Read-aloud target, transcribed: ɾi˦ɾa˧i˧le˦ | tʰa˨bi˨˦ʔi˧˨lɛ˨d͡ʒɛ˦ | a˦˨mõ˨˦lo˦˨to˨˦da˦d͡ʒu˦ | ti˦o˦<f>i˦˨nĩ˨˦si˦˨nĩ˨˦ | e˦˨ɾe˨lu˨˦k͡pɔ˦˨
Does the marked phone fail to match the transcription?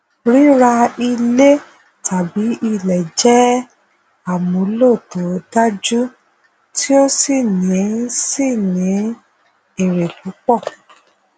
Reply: yes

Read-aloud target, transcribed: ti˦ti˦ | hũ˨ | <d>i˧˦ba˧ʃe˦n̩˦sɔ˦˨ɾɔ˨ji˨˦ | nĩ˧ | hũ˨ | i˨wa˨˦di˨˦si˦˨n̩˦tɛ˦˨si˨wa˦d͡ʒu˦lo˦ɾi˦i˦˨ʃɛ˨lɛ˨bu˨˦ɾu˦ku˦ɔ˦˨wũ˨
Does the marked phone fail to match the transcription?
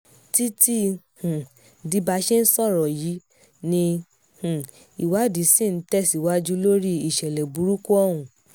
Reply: no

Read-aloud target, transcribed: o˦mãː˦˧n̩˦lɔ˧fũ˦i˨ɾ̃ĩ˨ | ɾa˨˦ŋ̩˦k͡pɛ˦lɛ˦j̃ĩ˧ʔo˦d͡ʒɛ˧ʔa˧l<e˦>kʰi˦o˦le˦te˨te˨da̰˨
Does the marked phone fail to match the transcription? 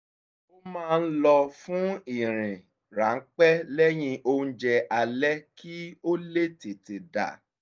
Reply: yes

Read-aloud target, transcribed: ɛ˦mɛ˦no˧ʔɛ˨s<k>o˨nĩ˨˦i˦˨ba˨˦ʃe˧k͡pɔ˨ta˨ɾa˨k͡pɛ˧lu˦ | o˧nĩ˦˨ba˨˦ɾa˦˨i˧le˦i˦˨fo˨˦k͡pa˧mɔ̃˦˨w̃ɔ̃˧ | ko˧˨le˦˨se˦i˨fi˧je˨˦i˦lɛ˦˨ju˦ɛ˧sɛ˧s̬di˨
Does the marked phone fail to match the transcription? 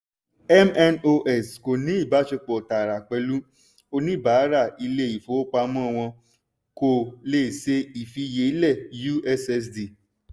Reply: no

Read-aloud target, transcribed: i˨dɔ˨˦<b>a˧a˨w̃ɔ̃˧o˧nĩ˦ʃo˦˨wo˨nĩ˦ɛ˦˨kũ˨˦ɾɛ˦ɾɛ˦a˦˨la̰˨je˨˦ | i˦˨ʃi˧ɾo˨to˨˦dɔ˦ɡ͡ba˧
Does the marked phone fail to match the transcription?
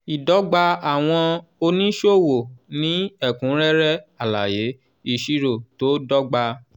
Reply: yes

